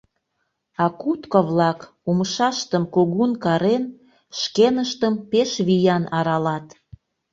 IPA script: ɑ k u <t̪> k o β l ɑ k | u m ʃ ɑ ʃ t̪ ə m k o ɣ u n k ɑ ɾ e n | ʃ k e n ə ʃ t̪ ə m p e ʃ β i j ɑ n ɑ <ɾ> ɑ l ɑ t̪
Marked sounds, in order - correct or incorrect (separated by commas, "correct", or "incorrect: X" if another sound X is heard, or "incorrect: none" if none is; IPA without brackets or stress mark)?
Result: correct, correct